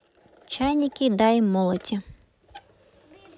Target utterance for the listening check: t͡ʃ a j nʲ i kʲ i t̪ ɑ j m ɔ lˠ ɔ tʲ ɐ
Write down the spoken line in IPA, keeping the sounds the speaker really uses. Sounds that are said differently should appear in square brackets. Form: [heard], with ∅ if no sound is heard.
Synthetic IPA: t͡ʃ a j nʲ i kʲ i [d̪] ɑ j m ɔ lˠ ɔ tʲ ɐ